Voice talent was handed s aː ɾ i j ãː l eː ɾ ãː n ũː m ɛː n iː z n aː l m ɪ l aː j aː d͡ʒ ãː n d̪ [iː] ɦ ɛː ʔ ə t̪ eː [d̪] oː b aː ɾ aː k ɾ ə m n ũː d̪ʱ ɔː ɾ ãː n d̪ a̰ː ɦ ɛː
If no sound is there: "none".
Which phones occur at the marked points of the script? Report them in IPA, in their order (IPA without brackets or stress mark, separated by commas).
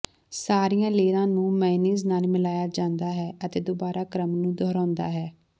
aː, d̪